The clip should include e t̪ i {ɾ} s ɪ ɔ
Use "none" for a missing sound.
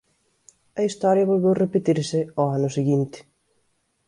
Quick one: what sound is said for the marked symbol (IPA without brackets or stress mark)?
ɾ